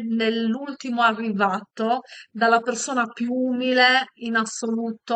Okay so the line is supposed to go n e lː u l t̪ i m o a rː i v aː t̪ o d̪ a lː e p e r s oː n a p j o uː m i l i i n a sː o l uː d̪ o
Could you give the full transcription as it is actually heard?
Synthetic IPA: n e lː u l t̪ i m o a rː i v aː t̪ o d̪ a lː a p e r s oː n a p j u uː m i l e i n a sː o l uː t̪ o